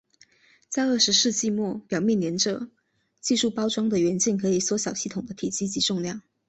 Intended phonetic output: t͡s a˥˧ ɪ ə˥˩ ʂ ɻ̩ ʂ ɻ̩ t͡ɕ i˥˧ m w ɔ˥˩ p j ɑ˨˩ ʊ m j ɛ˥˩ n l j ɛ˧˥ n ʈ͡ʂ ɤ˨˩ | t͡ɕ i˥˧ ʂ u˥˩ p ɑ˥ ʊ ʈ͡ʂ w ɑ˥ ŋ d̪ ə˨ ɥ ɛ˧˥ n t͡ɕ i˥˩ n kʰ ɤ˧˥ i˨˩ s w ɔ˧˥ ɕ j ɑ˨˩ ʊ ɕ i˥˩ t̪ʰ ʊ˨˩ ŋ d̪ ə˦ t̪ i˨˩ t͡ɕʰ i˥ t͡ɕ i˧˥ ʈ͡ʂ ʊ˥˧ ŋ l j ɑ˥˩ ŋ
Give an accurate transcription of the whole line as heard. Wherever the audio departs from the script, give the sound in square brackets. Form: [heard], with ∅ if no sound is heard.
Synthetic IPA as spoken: t͡s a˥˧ ɪ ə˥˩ ʂ ɻ̩ ʂ ɻ̩ t͡ɕ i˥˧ m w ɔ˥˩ p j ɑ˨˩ ʊ m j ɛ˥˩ n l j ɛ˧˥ n ʈ͡ʂ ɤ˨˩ | t͡ɕ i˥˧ ʂ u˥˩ p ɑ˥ ʊ ʈ͡ʂ w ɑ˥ ŋ d̪ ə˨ ɥ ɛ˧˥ n t͡ɕ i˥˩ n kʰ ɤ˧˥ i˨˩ s w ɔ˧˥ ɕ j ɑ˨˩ ʊ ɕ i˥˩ t̪ʰ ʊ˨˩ ŋ d̪ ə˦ [t̪ʰ] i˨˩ [t͡ɕ] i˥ t͡ɕ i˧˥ ʈ͡ʂ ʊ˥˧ ŋ l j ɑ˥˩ ŋ